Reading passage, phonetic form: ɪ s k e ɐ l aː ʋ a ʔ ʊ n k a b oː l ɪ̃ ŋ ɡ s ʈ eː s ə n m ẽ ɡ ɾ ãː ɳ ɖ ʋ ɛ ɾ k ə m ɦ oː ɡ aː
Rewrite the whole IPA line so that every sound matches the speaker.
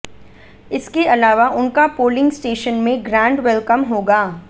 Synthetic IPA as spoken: ɪ s k e ɐ l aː ʋ a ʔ ʊ n k a p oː l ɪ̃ ŋ ɡ s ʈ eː ʃ ə n m ẽ ɡ ɾ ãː ɳ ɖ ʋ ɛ l k ə m ɦ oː ɡ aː